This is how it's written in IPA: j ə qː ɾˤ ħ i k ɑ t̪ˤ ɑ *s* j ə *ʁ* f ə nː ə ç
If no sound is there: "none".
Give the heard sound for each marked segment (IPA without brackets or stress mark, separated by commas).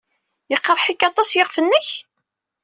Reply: s, ʁ